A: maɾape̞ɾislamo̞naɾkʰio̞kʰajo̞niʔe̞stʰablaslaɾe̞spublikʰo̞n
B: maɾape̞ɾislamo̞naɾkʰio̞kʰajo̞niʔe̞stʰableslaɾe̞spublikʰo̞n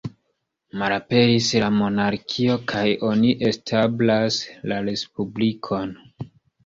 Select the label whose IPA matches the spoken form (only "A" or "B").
A